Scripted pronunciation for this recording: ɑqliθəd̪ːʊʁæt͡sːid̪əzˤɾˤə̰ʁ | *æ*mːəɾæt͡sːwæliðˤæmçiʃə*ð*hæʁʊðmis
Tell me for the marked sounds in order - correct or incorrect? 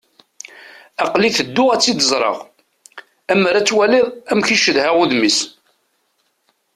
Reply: correct, correct

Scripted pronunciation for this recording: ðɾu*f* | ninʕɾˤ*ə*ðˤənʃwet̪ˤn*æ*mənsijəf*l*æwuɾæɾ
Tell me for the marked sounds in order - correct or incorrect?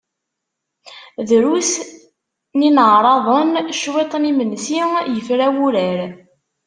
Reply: incorrect, incorrect, incorrect, incorrect

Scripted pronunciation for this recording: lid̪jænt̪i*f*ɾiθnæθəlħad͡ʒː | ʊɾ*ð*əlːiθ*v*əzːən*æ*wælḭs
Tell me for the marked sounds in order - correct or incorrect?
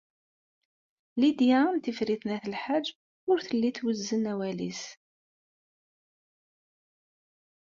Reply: correct, incorrect, incorrect, correct

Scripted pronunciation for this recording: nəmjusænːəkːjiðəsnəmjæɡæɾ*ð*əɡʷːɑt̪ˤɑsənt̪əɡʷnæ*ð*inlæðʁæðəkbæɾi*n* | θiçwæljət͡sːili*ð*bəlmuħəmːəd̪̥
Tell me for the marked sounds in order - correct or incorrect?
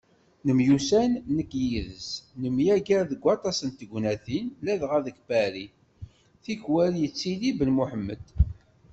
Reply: correct, incorrect, incorrect, incorrect

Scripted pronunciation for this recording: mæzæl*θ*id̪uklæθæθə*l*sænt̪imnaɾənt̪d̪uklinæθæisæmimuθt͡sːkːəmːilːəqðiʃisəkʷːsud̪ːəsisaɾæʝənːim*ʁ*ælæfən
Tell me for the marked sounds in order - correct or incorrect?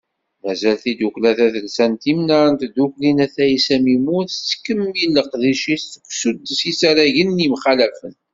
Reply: correct, correct, incorrect

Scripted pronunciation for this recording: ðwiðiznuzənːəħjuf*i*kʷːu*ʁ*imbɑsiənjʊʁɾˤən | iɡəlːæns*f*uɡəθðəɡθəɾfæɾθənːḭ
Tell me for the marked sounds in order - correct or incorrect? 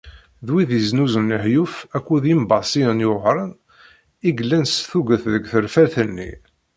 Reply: incorrect, incorrect, incorrect

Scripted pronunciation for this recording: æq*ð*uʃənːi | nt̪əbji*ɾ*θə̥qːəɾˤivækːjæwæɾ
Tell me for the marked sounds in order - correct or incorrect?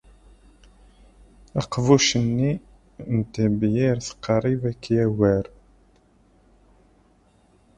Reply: incorrect, correct

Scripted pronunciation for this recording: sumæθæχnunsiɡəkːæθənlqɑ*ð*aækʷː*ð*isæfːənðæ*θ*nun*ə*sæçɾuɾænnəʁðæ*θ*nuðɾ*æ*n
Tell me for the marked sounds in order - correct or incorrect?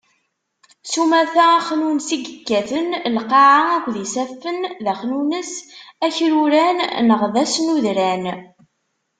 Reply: incorrect, correct, incorrect, correct, incorrect, correct

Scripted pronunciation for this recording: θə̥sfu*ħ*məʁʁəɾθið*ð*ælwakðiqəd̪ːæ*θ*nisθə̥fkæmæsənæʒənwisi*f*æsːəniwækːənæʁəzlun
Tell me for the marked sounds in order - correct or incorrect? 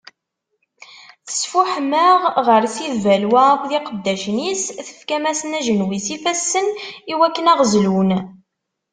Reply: correct, incorrect, incorrect, correct

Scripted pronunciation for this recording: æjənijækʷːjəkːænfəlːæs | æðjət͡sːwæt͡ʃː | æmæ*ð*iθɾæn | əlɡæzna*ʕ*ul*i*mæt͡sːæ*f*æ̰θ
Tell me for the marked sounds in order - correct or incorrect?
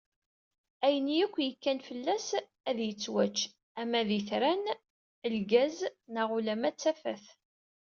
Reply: correct, incorrect, incorrect, correct

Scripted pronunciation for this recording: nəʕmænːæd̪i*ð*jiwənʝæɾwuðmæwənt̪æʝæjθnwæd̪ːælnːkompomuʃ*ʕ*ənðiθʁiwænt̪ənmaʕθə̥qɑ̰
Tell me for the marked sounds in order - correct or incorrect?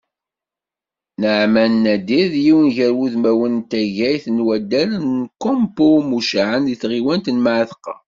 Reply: correct, correct

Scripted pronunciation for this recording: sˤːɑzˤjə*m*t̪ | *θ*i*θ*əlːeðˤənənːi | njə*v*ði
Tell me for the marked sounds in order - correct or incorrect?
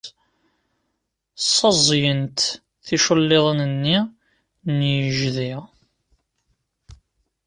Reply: incorrect, correct, incorrect, incorrect

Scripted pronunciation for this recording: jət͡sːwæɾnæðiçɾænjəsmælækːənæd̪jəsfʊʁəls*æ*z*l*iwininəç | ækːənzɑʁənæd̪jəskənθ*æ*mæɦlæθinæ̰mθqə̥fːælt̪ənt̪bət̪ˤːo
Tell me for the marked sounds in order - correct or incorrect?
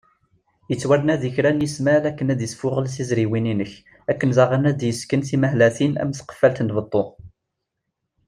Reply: incorrect, incorrect, incorrect

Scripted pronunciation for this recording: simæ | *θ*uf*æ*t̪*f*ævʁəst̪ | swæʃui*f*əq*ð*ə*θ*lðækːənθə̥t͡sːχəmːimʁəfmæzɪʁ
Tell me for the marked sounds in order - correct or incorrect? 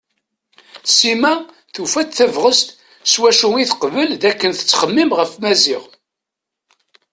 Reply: correct, correct, incorrect, incorrect, incorrect, incorrect

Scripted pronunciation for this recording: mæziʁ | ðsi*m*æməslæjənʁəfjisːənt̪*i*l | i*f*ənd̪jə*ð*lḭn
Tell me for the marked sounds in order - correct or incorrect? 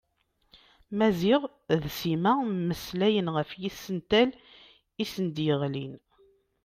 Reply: correct, incorrect, incorrect, incorrect

